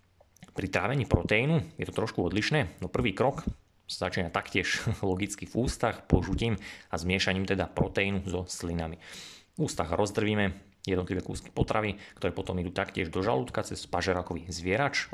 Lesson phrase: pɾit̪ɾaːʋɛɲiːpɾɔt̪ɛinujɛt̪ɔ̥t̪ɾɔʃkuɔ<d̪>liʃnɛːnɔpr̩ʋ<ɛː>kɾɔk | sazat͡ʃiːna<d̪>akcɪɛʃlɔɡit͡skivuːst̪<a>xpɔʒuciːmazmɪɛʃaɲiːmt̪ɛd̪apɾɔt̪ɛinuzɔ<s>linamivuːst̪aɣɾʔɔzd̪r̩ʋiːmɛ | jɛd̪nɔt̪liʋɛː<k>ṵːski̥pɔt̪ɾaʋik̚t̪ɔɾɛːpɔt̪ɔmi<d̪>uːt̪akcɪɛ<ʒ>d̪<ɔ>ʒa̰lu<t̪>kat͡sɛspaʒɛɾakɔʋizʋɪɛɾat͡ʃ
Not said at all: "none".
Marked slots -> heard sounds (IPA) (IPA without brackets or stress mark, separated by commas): d̪, iː, t̪, a, s, k, d̪, ʒ, ɔ, t̪